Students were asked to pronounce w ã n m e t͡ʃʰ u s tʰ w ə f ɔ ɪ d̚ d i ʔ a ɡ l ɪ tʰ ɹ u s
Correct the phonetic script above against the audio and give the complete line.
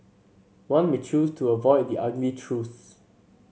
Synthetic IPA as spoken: w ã n m e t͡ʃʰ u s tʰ u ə v ɔ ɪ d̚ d i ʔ a ɡ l i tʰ ɹ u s

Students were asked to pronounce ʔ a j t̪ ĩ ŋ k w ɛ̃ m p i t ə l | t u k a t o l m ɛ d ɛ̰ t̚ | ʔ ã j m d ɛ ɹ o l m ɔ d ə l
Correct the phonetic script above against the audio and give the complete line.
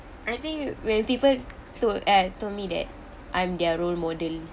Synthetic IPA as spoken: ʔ a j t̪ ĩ ŋ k w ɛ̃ n p i p ə l | t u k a t o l m i d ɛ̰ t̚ | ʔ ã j m d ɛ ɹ o l m ɔ d ə l

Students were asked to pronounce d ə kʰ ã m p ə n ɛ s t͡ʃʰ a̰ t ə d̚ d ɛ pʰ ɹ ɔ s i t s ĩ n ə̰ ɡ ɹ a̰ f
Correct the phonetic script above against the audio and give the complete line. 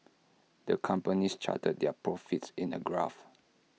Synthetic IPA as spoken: d ə kʰ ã m p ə n i s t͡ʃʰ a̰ t ə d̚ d ɛ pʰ ɹ ɔ f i t s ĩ n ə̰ ɡ ɹ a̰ f

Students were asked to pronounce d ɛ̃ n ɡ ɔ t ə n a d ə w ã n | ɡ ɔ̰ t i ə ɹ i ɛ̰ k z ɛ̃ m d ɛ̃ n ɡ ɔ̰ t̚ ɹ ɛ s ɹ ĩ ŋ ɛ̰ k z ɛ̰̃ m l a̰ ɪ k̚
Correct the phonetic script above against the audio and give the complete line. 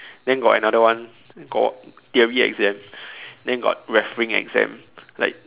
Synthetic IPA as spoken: d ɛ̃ n ɡ ɔ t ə n a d ə w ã n | ɡ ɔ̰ t i ə ɹ i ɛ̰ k z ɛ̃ m d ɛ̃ n ɡ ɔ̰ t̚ ɹ ɛ f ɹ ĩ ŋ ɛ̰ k z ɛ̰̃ m l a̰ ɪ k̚

